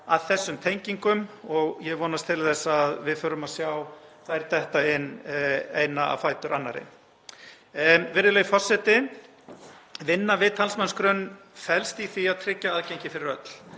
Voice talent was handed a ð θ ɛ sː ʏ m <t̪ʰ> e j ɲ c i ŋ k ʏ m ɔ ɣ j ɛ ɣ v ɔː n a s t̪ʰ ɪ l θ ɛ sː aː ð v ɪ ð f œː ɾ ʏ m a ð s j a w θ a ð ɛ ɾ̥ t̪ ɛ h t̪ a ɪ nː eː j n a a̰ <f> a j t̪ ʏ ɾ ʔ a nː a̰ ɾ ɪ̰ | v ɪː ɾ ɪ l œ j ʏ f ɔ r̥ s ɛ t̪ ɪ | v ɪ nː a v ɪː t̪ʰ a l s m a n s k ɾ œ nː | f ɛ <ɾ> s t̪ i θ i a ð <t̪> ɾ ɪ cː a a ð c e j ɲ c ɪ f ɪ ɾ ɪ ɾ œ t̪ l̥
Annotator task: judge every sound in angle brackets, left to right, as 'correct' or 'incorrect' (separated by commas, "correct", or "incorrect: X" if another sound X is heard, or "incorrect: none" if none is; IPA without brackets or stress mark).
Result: correct, correct, incorrect: l, incorrect: t̪ʰ